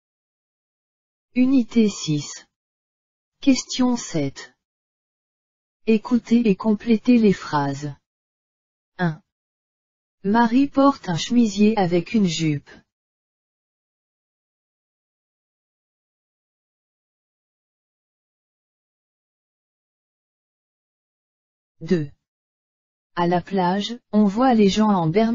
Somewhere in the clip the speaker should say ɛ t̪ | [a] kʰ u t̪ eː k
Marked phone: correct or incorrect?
incorrect